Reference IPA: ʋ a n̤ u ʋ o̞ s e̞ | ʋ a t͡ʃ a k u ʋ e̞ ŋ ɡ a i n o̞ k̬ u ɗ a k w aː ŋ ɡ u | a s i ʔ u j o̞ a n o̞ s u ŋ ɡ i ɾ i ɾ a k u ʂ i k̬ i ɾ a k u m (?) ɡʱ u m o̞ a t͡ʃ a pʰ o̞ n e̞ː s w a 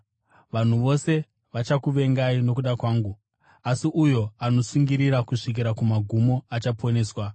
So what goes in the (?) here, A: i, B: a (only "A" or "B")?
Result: B